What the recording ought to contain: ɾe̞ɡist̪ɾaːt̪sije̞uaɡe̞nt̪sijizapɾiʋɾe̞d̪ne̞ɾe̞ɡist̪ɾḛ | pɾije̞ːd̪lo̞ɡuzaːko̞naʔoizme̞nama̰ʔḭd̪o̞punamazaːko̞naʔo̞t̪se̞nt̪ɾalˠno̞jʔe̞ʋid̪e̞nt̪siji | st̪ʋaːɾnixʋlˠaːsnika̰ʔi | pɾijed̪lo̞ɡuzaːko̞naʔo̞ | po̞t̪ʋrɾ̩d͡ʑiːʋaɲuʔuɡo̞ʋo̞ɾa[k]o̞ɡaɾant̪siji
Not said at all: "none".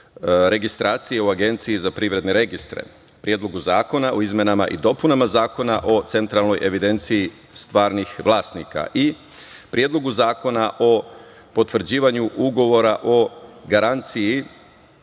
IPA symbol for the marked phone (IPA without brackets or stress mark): ʔ